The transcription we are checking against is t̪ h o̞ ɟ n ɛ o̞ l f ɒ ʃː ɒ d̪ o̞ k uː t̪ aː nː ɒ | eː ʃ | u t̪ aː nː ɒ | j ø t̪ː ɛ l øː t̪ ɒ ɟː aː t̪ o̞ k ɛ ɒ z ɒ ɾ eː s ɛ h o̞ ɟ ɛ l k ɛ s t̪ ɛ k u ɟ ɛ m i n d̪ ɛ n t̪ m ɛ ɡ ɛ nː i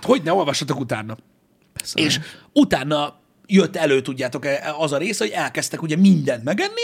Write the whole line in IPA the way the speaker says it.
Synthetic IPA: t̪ h o̞ ɟ n ɛ o̞ l v ɒ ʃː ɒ t̪ o̞ k u t̪ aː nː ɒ | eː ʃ | u t̪ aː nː ɒ | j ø t̪ː ɛ l øː t̪ u ɟː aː t̪ o̞ k ɛ ɒ z ɒ ɾ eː s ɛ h o̞ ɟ ɛ l k ɛ s t̪ ɛ k u ɟ ɛ m i n d̪ ɛ n t̪ m ɛ ɡ ɛ nː i